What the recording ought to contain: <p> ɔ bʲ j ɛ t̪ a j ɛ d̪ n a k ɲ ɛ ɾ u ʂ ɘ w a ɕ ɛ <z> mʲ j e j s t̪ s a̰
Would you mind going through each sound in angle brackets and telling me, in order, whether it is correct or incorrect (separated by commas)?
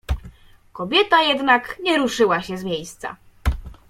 incorrect, correct